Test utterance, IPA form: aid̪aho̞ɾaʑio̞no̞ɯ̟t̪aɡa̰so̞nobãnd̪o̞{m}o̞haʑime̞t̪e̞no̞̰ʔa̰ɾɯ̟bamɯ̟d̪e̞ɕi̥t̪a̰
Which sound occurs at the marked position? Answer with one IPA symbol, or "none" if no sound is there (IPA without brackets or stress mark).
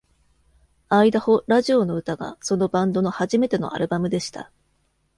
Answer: n